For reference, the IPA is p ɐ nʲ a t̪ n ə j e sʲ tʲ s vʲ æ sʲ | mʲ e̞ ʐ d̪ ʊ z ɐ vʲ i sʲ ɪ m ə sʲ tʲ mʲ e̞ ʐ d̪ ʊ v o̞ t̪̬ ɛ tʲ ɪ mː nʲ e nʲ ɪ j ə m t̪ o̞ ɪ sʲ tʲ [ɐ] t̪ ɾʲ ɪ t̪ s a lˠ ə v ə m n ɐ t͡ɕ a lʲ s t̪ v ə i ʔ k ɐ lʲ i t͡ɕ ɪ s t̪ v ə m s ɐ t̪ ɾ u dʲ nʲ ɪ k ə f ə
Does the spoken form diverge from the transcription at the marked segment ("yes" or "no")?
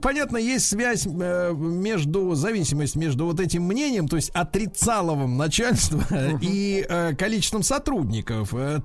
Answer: no